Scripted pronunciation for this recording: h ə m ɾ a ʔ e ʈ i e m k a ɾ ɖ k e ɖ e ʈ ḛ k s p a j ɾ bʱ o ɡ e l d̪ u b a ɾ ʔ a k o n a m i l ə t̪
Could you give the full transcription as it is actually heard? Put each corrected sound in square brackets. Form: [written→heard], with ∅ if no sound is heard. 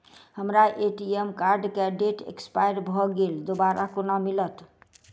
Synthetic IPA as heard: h ə m ɾ a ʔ e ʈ i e m k a ɾ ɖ k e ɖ e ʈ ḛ k s p a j ɾ bʱ [o→ɔ] ɡ e l d̪ [u→o] b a ɾ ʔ a k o n a m i l ə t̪